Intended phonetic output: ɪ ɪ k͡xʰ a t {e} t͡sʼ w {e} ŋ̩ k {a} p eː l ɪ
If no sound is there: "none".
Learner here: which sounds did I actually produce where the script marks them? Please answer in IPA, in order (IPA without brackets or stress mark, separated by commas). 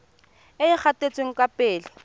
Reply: e, e, a